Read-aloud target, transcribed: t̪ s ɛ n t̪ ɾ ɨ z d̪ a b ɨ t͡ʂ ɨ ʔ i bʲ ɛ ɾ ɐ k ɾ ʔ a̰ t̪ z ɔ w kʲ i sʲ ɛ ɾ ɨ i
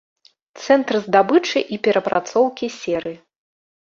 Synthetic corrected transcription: t̪ s ɛ n t̪ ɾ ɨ z d̪ a b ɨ t͡ʂ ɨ ʔ i pʲ ɛ ɾ ɐ p ɾ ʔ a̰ t̪ s ɔ w kʲ i sʲ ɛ ɾ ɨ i